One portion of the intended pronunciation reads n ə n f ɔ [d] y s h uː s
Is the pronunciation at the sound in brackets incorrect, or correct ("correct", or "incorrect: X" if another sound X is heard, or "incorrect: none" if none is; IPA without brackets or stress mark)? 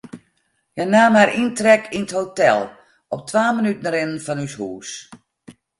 incorrect: n